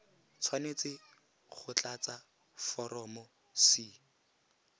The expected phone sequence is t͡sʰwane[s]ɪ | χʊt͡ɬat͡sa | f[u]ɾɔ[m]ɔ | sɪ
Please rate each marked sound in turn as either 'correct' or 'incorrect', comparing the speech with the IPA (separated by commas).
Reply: incorrect, incorrect, correct